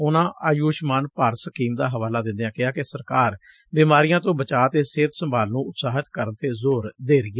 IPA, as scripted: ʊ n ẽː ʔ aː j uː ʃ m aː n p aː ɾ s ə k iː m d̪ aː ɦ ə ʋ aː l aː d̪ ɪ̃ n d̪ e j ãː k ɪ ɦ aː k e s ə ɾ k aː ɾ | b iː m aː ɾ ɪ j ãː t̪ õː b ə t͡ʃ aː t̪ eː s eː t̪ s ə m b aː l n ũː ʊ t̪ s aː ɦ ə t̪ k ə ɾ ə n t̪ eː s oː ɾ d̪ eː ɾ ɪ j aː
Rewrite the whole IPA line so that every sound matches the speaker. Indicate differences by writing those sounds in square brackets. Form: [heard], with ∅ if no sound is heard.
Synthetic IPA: ʊ n [ãː] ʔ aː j uː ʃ m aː n p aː ɾ s ə k iː m d̪ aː ɦ ə ʋ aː l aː d̪ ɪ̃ n d̪ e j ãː k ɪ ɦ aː k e s ə ɾ k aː ɾ | b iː m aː ɾ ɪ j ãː t̪ õː b ə t͡ʃ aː t̪ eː s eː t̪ s ə m b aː l n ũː ʊ t̪ s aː ɦ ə t̪ k ə ɾ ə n t̪ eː [z] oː ɾ d̪ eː ɾ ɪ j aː